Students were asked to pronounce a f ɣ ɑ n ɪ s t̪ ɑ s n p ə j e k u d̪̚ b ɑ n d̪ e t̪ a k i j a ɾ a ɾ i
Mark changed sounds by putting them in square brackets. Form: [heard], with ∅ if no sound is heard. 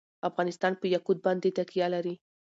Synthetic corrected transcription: a f ɣ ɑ n ɪ s t̪ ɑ [∅] n p ə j [a] k u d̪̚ b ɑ n d̪ e t̪ a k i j a [l] a ɾ i